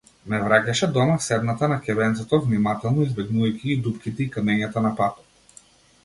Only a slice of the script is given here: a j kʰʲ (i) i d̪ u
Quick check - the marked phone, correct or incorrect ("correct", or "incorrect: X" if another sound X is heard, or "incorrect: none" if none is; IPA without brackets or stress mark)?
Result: correct